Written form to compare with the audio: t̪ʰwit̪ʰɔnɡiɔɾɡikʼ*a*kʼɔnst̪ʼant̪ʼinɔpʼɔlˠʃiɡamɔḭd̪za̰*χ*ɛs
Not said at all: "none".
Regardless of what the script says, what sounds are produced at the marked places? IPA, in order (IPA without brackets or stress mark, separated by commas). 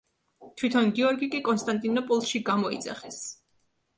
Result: i, χ